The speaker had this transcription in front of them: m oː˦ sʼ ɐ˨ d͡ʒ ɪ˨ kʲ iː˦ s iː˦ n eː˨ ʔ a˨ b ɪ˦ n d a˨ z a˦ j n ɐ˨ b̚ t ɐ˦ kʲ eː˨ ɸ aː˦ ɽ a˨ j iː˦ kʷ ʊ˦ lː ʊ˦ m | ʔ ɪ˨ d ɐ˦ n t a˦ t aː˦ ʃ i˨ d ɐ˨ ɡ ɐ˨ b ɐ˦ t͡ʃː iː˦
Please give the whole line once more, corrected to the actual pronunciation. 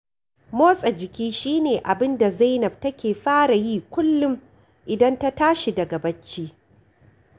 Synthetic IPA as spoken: m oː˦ sʼ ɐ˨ d͡ʒ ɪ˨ kʲ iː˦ ʃ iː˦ n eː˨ ʔ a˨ b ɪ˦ n d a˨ z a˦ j n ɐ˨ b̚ t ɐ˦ kʲ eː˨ ɸ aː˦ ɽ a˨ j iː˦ kʷ ʊ˦ lː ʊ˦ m | ʔ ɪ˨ d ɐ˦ n t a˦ t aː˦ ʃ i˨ d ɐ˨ ɡ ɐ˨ b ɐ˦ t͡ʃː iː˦